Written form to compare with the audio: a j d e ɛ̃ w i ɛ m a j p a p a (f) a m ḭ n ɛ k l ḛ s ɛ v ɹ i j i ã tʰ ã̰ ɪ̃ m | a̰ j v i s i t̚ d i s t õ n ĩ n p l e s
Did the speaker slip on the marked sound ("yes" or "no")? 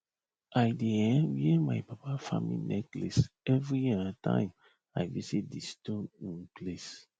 no